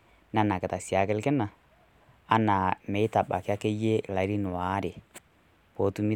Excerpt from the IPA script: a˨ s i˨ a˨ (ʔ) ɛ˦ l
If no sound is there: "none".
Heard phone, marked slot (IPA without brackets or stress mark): k